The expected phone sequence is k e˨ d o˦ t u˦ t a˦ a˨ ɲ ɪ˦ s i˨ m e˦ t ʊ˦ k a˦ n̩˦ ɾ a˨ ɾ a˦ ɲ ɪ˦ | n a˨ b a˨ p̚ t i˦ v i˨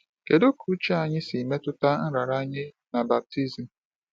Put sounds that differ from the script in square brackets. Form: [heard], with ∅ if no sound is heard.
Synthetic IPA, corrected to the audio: k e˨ d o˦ [k] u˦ [t͡ʃ] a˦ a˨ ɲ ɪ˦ s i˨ m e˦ t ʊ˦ [t] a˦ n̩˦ ɾ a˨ ɾ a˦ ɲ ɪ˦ | n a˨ b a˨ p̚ t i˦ [z] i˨